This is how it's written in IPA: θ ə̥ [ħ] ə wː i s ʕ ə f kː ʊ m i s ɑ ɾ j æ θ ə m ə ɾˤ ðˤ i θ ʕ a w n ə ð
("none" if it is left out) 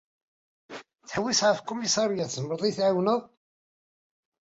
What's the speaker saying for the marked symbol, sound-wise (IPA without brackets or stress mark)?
ħ